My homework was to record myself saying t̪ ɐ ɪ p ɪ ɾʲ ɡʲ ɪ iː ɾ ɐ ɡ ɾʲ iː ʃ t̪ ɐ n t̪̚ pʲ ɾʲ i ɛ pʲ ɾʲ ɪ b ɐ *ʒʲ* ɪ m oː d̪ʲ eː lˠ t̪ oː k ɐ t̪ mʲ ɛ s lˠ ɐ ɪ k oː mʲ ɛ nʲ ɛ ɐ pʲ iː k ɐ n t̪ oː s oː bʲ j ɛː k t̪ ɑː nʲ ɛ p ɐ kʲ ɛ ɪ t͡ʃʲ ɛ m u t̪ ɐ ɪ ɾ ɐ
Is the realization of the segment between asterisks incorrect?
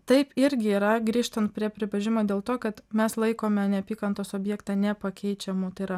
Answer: no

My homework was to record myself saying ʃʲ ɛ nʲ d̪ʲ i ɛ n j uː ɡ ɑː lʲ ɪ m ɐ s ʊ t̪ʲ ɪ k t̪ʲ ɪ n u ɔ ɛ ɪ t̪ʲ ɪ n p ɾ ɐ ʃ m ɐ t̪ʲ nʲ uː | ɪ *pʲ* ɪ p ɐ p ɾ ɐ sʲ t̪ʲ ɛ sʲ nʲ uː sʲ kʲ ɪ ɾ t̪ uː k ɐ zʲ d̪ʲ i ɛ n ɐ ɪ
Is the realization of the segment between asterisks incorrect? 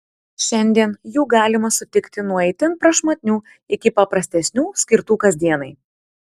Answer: yes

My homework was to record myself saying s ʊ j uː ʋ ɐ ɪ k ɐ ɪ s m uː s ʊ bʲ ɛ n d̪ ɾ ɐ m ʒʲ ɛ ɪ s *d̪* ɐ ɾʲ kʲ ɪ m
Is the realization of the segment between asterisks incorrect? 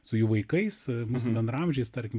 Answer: yes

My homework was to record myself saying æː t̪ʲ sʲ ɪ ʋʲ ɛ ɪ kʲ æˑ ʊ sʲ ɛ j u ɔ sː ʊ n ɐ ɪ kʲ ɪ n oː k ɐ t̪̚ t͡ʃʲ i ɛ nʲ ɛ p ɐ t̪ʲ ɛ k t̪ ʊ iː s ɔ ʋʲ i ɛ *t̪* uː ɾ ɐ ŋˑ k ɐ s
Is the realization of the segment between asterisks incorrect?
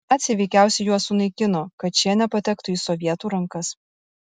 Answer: no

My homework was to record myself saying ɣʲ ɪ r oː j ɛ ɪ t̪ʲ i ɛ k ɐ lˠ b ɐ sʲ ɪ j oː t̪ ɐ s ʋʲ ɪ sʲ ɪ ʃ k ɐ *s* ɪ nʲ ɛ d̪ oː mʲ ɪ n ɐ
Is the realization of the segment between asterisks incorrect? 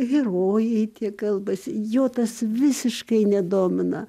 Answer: yes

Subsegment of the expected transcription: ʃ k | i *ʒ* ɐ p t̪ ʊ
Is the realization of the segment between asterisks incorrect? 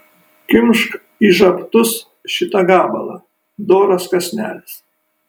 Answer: no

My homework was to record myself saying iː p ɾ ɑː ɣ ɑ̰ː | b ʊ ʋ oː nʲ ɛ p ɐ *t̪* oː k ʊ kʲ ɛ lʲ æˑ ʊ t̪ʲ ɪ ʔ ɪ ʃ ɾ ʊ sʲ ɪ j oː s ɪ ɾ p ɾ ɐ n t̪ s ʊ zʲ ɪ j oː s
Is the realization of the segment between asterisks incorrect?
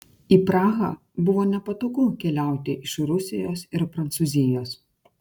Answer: no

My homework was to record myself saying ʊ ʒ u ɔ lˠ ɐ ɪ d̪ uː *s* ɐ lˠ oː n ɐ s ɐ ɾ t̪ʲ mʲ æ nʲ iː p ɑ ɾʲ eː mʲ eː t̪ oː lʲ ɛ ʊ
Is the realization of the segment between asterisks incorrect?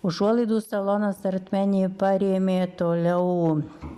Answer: no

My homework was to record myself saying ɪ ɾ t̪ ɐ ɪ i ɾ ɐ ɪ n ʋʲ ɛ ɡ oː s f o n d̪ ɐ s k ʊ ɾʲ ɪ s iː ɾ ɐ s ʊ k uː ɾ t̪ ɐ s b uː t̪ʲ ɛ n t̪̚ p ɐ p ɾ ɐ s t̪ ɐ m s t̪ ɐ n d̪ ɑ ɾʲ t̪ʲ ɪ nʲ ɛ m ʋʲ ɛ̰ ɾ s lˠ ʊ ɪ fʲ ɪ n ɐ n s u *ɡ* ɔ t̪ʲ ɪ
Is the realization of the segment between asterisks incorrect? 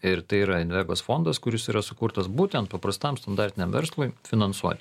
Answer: yes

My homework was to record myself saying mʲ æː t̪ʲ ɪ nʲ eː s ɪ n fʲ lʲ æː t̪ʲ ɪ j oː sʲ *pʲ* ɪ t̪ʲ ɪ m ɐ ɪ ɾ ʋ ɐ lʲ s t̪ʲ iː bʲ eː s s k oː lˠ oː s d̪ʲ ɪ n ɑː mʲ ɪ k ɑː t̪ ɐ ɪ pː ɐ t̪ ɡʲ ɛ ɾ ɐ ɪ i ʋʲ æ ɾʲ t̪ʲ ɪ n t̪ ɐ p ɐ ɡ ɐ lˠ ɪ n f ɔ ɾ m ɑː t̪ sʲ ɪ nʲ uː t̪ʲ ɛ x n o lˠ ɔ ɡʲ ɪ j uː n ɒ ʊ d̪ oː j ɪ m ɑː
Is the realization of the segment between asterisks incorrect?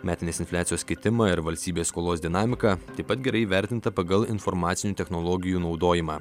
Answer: yes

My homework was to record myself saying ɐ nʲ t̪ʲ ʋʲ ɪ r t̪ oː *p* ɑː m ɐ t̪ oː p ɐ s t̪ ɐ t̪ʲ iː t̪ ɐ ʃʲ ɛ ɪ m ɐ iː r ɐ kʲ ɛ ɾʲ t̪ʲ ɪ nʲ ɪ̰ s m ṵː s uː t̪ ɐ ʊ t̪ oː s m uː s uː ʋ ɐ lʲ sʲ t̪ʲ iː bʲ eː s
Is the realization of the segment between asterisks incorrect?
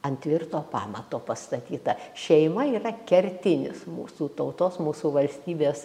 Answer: no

